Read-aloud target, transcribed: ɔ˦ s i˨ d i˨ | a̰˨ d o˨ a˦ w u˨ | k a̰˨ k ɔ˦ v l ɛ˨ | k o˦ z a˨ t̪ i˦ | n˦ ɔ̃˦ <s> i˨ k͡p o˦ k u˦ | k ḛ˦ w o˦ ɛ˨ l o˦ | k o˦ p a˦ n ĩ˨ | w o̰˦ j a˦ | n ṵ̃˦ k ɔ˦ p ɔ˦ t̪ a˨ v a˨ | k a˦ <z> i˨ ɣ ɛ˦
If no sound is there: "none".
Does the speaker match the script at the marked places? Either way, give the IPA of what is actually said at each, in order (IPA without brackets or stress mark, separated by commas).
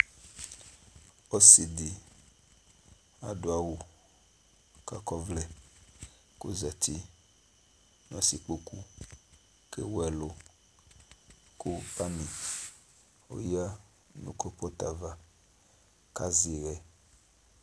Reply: s, z